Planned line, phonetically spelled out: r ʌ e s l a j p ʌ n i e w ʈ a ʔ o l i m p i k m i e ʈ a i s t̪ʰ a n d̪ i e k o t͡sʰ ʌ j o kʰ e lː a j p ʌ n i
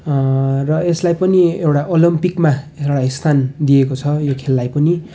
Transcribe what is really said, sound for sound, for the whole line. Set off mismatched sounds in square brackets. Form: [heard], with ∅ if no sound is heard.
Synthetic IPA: r ʌ e s l a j p ʌ n i e w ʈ a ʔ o l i m p i k m [a] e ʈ a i s t̪ʰ a n d̪ i e k o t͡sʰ ʌ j o kʰ e lː a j p ʌ n i